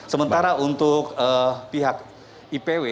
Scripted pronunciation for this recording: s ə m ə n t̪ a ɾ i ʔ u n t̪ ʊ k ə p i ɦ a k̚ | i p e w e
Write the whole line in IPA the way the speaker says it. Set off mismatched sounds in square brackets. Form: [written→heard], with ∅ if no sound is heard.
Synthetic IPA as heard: s ə m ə n t̪ a ɾ [i→a] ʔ u n t̪ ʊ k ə p i ɦ a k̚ | i p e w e

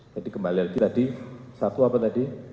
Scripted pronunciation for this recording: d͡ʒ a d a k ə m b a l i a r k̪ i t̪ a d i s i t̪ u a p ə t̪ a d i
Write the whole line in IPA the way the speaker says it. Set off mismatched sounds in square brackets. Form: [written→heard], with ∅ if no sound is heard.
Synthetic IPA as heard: d͡ʒ a d [a→i] k ə m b a l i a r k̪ i t̪ a d i s [i→a] t̪ u a p [ə→a] t̪ a d i

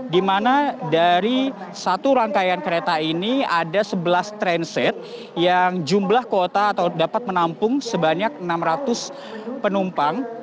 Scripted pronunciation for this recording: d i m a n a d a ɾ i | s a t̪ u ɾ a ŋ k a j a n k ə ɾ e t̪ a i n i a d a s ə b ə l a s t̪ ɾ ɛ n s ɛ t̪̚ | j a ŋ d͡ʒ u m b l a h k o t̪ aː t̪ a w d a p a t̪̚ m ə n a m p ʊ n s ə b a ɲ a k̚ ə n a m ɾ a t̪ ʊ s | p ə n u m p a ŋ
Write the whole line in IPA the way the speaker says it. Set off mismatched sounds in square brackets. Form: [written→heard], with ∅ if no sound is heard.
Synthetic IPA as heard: d i m a n a d a ɾ i | s a t̪ u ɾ a ŋ k a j a n k ə ɾ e t̪ a i n i a d a s ə b ə l a s t̪ ɾ ɛ n s ɛ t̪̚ | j a ŋ d͡ʒ u m b l a h k o t̪ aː t̪ a w d a p a t̪̚ m ə n a m p ʊ [n→ŋ] s ə b a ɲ a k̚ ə n a m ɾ a t̪ ʊ s | p ə n u m p a ŋ

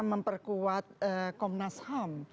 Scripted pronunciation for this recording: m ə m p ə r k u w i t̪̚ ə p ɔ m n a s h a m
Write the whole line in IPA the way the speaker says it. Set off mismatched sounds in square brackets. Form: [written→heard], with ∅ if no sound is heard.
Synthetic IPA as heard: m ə m p ə r k u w [i→a] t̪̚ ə [p→k] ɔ m n a s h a m

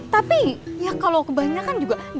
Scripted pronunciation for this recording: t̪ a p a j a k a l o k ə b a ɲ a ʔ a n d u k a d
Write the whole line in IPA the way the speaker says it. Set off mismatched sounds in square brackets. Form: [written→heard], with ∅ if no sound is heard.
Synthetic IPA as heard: t̪ a p [a→i] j a k a l o k ə b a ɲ a [ʔ→k] a n [d→d͡ʒ] u [k→ɡ] a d

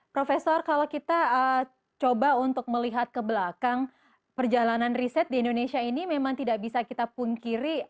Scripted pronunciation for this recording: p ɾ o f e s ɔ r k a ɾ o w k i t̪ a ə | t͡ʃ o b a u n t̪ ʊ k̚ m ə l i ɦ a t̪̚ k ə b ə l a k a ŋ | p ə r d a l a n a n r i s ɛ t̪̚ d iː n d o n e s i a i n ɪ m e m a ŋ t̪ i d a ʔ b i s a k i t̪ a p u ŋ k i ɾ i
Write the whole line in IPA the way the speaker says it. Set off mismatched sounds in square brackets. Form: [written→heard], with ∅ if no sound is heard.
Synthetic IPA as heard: p ɾ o f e s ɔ r k a [ɾ→l] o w k i t̪ a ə | t͡ʃ o b a u n t̪ ʊ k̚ m ə l i ɦ a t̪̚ k ə b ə l a k a ŋ | p ə r [d→d͡ʒ] a l a n a n r i s ɛ t̪̚ d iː n d o n e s i a i n [ɪ→i] m e m a ŋ t̪ i d a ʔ b i s a k i t̪ a p u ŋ k i ɾ i

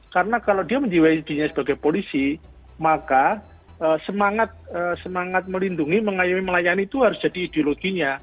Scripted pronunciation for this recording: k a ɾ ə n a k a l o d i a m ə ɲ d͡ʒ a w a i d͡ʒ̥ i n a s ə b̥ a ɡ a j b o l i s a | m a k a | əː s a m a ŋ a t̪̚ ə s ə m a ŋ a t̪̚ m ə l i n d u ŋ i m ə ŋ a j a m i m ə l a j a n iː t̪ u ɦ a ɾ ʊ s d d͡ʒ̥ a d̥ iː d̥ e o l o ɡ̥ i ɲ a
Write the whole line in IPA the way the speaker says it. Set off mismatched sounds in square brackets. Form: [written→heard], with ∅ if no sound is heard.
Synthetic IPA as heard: k a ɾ ə n a k a l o d i a m ə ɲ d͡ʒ [a→i] w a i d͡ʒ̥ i [n→ɲ] a s ə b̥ a ɡ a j [b→p] o l i s [a→i] | m a k a | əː s [a→ə] m a ŋ a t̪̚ ə s ə m a ŋ a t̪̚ m ə l i n d u ŋ i m ə ŋ a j a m i m ə l a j a n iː t̪ u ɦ a ɾ ʊ s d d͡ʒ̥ a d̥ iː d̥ e o l o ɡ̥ i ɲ a

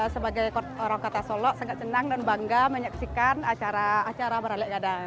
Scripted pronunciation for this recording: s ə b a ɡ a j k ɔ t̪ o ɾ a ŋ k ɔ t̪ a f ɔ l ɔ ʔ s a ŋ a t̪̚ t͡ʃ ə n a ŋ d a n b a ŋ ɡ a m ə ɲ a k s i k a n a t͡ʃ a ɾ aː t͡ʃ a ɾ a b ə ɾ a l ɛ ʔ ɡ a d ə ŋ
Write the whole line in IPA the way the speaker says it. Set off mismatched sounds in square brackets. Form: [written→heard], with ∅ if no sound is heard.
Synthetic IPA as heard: s ə b a ɡ a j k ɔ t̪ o ɾ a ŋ k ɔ t̪ a [f→s] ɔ l ɔ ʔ s a ŋ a t̪̚ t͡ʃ ə n a ŋ d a n b a ŋ ɡ a m ə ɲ a k s i k a n a t͡ʃ a ɾ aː t͡ʃ a ɾ a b ə ɾ a l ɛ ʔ ɡ a d [ə→a] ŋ

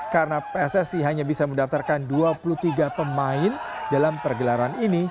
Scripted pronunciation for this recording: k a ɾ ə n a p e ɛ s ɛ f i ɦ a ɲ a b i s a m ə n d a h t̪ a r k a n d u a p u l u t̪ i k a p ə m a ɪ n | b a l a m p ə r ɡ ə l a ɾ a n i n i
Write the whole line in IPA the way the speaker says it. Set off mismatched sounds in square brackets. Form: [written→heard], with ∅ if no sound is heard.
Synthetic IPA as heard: k a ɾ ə n a p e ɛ s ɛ [f→s] i ɦ a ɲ a b i s a m ə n d a [h→f] t̪ a r k a n d u a p u l u t̪ i [k→ɡ] a p ə m a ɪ n | [b→d] a l a m p ə r ɡ ə l a ɾ a n i n i

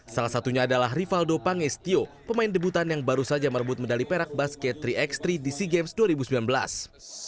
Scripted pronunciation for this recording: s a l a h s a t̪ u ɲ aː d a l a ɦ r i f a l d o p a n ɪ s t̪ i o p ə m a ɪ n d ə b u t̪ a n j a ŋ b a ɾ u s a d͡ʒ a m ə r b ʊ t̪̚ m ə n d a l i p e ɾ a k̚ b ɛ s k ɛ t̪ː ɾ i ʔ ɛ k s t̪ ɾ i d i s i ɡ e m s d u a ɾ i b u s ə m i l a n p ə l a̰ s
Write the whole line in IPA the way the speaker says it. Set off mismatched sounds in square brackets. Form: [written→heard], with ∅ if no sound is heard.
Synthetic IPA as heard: s a l a h s a t̪ u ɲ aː d a l a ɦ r i f a l d o p a [n→ŋ] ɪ s t̪ i o p ə m a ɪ n d ə b u t̪ a n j a ŋ b a ɾ u s a d͡ʒ a m ə r b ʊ t̪̚ m ə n d a l i p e ɾ a k̚ b [ɛ→a] s k ɛ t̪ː ɾ i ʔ ɛ k s t̪ ɾ i d i s i ɡ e m s d u a ɾ i b u s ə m i l a n [p→b] ə l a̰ s

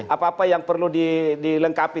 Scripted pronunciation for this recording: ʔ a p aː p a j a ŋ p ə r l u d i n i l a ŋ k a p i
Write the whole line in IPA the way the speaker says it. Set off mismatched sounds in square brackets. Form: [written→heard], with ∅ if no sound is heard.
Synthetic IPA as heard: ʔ a p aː p a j a ŋ p ə r l u d i [n→d] i l [a→ə] ŋ k a p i

